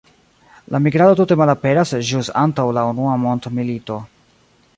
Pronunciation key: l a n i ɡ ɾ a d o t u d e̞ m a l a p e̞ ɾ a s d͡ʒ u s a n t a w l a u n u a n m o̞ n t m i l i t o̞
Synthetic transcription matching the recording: l a m i ɡ ɾ a d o t u t e̞ m a l a p e̞ ɾ a s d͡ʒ u s a n t a w l a u n u a m o̞ n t m i l i t o̞